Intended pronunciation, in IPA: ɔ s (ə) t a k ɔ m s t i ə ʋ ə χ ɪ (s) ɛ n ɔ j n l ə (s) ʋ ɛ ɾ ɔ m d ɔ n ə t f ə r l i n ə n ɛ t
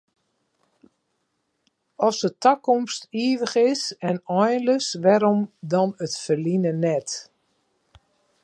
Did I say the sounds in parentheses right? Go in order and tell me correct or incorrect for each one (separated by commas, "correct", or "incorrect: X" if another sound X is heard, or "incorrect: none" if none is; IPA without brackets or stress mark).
correct, correct, correct